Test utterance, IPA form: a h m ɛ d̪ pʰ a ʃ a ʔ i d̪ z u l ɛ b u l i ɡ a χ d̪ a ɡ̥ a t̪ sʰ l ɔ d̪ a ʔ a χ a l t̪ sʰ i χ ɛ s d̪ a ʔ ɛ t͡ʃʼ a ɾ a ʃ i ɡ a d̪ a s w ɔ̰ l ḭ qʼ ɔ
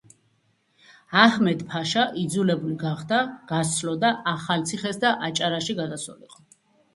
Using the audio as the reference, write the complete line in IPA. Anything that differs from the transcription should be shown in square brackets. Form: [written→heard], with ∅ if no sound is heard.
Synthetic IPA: a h m ɛ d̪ pʰ a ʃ a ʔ i d̪ z u l ɛ b u l i ɡ a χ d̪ a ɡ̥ a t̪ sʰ l ɔ d̪ a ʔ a χ a l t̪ sʰ i χ ɛ s d̪ a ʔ [ɛ→a] t͡ʃʼ a ɾ a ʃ i ɡ a d̪ a s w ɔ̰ l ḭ qʼ ɔ